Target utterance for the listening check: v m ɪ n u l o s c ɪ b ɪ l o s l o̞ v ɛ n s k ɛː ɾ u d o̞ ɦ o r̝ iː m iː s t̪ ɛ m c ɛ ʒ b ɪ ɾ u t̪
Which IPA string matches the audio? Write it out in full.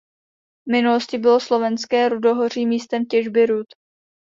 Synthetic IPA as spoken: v m ɪ n u l o s c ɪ b ɪ l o s l o̞ v ɛ n s k ɛː ɾ u d o̞ ɦ o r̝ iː m iː s t̪ ɛ m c ɛ ʒ b ɪ ɾ u t̪